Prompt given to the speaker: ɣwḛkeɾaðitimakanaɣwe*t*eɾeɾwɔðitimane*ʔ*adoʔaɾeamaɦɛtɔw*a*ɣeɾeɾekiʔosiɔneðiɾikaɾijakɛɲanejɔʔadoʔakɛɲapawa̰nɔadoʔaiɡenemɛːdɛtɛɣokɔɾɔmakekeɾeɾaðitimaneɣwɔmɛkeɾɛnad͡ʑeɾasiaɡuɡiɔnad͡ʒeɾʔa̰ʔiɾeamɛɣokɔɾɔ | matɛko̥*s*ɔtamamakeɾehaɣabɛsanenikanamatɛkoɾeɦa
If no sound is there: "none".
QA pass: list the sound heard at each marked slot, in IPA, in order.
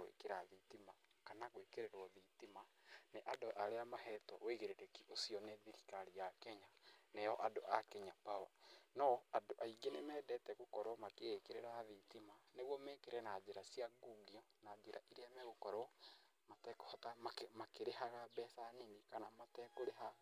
k, ʔ, e, h

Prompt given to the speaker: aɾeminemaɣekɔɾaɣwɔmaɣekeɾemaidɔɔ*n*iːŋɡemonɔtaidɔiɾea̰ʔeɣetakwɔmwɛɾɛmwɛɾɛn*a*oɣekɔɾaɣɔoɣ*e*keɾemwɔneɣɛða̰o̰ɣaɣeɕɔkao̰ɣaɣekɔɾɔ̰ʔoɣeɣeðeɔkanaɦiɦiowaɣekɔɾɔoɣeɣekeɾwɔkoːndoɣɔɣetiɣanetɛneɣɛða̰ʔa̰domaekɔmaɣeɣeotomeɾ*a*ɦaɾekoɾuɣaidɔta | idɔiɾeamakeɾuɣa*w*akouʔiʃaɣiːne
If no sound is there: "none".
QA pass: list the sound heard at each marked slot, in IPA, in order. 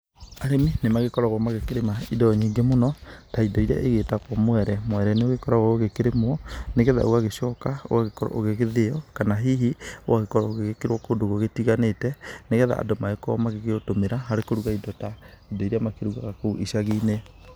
ɲ, e, e, a, ɣ

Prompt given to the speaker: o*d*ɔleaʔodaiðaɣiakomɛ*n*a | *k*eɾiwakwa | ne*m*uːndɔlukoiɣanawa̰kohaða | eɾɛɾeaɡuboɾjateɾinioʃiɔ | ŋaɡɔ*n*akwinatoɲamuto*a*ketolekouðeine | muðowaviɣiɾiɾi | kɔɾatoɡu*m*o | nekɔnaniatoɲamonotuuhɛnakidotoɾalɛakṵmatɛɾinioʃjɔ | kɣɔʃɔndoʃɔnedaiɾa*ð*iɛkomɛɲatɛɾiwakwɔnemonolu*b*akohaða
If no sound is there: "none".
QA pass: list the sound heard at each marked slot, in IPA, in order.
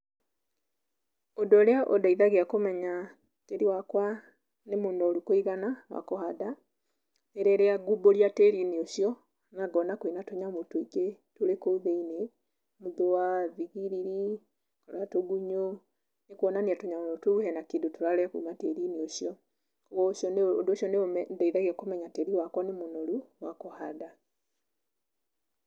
d, ɲ, t, m, n, i, ɲ, ɣ, w

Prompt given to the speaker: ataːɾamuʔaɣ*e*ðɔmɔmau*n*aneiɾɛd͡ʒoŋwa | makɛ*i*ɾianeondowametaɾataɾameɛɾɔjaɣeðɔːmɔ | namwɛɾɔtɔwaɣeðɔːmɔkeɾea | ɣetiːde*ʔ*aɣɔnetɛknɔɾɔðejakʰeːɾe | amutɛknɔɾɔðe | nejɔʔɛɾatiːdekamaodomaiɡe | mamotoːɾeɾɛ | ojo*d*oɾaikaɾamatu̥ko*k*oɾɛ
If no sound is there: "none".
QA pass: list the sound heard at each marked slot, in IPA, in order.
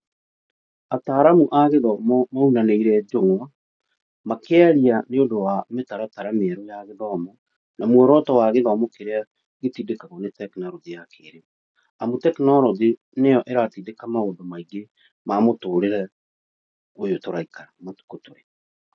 e, n, a, k, t, t

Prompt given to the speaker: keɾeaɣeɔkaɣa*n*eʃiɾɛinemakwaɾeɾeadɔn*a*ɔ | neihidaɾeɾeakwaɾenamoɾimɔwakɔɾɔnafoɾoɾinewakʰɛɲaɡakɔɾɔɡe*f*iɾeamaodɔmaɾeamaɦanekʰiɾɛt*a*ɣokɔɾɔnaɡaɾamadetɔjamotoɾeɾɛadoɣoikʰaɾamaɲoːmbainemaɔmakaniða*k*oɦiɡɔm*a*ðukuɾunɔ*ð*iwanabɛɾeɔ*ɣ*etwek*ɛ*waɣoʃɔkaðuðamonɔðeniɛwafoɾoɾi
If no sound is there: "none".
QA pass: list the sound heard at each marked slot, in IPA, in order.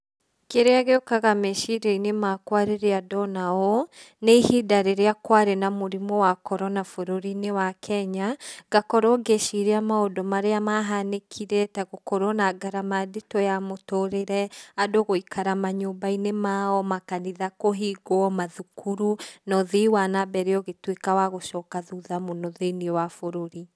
m, a, ʃ, a, k, a, ð, ɣ, a

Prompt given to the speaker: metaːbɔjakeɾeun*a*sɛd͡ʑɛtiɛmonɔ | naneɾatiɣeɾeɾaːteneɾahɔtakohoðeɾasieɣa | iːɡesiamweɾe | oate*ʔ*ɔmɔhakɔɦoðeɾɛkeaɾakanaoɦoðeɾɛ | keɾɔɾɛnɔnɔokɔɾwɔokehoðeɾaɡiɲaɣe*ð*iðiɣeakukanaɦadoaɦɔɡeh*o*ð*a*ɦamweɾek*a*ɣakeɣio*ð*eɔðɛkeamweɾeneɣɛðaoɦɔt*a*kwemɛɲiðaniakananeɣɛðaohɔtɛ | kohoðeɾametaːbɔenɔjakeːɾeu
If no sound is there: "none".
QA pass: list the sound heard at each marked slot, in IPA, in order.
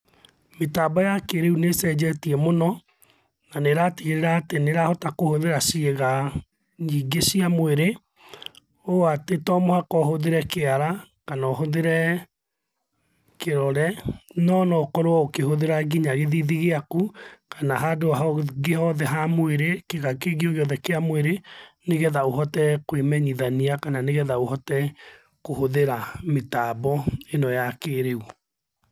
e, t, ð, ɔ, ɛ, e, ɣ, ɛ

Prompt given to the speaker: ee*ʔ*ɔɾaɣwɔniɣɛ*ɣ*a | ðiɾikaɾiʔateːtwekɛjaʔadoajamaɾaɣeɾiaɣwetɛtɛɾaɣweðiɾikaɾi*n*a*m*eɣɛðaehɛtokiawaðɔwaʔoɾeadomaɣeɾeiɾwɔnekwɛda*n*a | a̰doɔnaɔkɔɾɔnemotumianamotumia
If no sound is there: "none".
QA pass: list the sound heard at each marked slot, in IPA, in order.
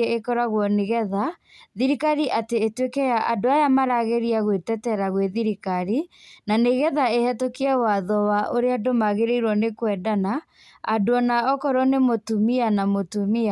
k, ð, n, n, n

